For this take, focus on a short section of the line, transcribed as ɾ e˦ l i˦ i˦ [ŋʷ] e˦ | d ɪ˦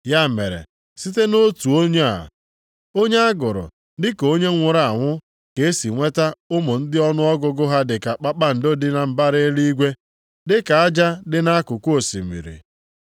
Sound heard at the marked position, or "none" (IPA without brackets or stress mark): ɡʷ